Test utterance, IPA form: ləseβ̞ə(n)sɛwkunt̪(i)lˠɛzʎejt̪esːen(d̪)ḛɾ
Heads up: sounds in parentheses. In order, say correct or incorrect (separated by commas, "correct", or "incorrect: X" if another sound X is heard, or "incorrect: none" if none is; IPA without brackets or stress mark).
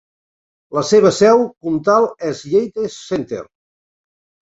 incorrect: none, incorrect: a, incorrect: t̪